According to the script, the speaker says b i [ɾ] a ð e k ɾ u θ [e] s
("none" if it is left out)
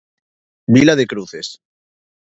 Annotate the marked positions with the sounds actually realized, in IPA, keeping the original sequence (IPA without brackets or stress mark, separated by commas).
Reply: l, e